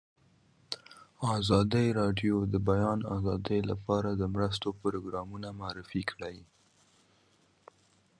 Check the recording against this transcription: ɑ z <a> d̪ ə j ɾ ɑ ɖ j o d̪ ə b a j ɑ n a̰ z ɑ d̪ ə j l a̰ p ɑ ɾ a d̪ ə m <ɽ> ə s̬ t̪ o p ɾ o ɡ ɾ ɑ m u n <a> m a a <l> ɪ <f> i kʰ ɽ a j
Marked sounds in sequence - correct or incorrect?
incorrect, incorrect, correct, incorrect, correct

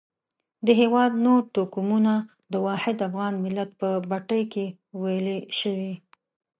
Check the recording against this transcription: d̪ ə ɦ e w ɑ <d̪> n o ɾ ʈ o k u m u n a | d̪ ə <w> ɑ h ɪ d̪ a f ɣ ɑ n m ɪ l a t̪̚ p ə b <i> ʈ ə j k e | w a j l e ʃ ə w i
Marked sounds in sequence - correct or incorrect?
correct, correct, incorrect

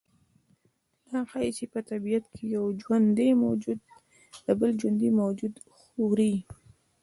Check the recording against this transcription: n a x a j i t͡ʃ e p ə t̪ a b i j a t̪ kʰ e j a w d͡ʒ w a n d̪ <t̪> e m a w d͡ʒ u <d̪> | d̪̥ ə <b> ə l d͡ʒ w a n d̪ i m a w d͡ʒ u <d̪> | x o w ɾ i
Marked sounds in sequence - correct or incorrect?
incorrect, correct, correct, correct

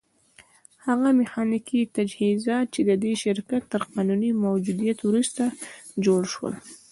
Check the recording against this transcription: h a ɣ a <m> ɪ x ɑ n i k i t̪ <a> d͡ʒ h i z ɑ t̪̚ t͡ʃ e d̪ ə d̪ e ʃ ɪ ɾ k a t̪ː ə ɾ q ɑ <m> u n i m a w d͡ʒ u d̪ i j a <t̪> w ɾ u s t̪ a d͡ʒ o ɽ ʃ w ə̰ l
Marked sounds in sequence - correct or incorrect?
correct, correct, incorrect, correct

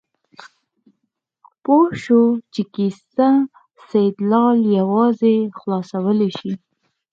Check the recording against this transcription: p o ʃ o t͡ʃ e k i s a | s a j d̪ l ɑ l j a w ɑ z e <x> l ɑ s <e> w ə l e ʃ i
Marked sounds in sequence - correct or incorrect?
correct, incorrect

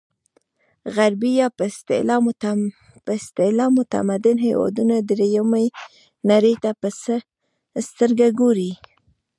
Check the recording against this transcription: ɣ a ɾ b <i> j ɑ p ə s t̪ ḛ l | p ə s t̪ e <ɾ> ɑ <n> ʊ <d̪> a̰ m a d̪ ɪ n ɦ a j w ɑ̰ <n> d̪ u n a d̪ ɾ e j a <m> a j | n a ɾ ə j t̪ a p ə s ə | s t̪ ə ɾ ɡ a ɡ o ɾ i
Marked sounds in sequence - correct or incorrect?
correct, incorrect, incorrect, incorrect, incorrect, correct

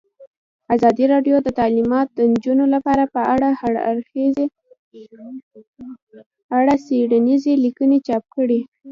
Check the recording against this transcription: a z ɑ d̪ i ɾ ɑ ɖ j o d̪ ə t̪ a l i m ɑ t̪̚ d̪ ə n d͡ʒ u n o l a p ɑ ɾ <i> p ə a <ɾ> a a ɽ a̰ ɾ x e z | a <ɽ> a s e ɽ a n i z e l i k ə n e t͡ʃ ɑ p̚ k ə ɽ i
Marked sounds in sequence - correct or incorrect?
incorrect, incorrect, correct

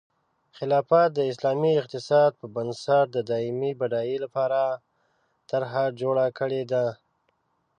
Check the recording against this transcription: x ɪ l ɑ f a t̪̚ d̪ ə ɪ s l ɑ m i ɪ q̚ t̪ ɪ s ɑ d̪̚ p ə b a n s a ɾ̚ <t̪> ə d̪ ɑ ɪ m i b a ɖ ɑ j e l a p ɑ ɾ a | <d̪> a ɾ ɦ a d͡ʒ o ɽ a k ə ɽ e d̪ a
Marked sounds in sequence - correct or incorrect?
incorrect, incorrect

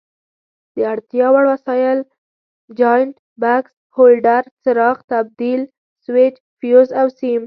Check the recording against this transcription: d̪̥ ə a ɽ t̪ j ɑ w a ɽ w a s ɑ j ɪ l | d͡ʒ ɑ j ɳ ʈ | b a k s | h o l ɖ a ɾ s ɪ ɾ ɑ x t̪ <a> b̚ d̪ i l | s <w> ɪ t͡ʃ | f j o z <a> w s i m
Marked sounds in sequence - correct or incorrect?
correct, correct, correct

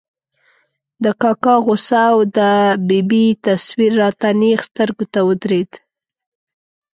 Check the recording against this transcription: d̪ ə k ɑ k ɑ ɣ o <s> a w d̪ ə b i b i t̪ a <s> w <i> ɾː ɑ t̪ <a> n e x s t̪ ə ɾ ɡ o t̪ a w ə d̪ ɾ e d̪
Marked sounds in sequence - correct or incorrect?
correct, correct, correct, correct

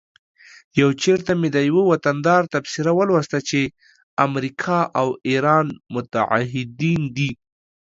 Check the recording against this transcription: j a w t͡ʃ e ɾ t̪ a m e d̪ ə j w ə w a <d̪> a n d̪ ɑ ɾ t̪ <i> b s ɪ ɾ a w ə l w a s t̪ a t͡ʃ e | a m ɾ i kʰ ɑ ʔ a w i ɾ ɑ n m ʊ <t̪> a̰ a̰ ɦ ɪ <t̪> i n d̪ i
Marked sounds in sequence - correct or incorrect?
incorrect, incorrect, correct, incorrect

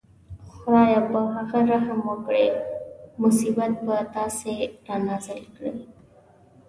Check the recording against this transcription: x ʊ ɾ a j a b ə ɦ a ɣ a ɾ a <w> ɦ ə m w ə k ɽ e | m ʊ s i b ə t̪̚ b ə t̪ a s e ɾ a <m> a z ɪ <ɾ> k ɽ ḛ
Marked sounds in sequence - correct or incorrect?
incorrect, incorrect, incorrect

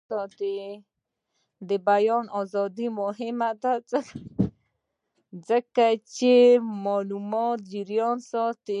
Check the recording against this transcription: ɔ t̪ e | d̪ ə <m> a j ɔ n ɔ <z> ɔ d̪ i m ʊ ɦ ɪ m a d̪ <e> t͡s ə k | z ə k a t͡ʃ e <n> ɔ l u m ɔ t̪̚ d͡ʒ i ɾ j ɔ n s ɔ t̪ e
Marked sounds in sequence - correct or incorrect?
incorrect, correct, incorrect, incorrect

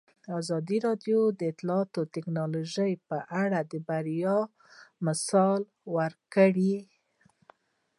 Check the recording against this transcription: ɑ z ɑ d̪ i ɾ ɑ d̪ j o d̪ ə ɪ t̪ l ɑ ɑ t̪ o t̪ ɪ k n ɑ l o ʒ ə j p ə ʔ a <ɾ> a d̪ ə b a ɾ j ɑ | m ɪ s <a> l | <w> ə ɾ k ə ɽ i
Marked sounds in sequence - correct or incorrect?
incorrect, incorrect, correct

